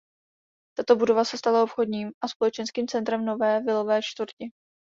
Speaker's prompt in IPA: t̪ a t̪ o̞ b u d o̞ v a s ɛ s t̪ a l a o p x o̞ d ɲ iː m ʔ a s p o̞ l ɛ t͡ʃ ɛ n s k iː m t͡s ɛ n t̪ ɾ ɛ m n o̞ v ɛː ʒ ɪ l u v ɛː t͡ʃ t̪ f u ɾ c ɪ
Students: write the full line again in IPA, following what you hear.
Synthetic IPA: t̪ a t̪ o̞ b u d o̞ v a s ɛ s t̪ a l a o p x o̞ d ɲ iː m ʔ a s p o̞ l ɛ t͡ʃ ɛ n s k iː m t͡s ɛ n t̪ ɾ ɛ m n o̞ v ɛː v ɪ l o v ɛː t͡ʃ t̪ v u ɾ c ɪ